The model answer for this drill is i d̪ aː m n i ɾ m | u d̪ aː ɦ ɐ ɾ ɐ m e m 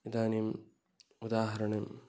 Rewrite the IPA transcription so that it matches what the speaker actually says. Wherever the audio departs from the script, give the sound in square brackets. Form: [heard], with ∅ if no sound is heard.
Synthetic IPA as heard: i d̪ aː [∅] n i [∅] m | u d̪ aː ɦ ɐ ɾ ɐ [ɳ] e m